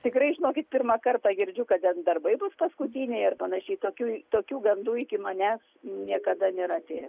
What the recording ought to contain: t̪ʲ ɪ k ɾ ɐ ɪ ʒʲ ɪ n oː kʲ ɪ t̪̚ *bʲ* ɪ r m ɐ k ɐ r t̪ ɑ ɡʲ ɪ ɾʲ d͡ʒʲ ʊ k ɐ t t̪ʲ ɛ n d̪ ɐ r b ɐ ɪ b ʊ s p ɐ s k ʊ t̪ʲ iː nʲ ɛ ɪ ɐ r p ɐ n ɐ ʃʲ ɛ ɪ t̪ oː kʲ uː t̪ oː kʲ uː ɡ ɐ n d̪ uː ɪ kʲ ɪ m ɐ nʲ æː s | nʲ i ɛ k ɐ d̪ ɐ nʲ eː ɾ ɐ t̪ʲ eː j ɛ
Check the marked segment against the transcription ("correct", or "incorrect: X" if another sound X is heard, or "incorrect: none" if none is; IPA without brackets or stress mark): incorrect: pʲ